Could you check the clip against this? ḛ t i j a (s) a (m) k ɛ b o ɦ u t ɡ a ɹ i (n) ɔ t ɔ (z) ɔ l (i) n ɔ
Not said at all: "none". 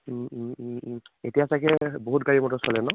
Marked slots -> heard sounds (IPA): s, none, m, s, ɛ

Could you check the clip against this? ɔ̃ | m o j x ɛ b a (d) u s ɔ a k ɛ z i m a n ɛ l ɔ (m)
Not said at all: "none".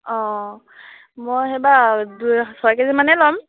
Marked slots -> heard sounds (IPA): d, m

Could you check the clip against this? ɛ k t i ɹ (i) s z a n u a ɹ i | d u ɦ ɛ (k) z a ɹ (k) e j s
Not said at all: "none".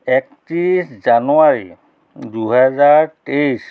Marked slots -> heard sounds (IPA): i, none, t

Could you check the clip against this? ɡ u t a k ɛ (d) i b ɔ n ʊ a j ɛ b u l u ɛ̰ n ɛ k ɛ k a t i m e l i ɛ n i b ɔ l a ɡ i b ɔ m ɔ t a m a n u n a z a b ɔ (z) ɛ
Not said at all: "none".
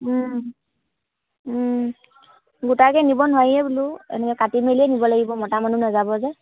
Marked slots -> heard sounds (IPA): n, z

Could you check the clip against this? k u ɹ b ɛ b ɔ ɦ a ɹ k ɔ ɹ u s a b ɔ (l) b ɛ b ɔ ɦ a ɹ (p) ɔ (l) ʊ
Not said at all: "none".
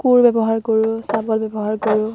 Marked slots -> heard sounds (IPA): l, k, ɹ

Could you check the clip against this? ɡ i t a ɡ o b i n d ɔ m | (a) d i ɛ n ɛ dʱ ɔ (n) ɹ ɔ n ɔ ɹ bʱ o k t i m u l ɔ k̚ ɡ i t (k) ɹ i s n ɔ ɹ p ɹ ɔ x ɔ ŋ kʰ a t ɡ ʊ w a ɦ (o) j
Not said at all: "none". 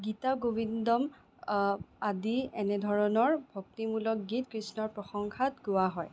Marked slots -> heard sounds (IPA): a, none, k, ɔ

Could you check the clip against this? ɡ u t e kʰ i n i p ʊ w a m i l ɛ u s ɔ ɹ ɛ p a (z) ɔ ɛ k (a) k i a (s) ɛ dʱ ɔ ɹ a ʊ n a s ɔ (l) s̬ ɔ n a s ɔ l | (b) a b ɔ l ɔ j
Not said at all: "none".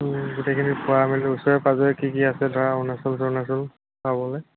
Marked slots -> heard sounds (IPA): z, i, s, l, p

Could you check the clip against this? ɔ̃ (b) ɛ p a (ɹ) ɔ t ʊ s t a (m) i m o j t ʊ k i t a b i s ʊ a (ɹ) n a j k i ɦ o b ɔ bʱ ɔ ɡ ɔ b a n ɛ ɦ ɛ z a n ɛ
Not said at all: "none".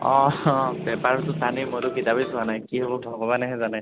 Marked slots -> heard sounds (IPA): b, ɹ, n, none

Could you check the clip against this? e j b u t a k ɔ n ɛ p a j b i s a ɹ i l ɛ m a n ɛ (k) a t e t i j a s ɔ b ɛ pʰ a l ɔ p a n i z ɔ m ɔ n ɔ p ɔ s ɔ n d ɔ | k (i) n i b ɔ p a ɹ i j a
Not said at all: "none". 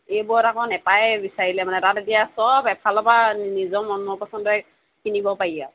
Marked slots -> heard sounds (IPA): t, i

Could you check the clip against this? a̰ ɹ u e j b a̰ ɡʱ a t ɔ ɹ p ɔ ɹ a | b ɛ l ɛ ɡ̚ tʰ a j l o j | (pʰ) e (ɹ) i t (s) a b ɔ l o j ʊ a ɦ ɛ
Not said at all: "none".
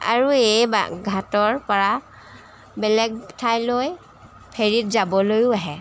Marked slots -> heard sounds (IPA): pʰ, ɹ, z

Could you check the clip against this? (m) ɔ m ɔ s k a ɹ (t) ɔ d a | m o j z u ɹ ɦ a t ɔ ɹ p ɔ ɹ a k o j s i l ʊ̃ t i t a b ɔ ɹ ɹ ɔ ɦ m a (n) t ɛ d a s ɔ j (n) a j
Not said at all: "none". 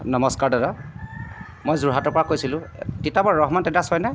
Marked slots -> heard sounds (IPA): n, d, n, n

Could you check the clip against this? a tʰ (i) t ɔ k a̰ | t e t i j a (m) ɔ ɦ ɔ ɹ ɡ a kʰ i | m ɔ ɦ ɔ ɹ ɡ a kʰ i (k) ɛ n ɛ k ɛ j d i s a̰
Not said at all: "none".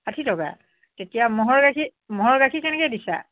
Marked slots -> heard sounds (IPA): i, m, k

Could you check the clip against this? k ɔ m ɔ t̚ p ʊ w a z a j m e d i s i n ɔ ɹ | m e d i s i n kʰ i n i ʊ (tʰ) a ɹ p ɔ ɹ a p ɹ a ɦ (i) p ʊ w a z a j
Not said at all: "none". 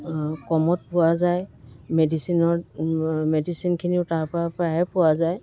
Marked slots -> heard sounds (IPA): t, ɛ

